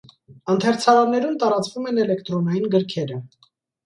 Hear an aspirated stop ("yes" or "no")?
yes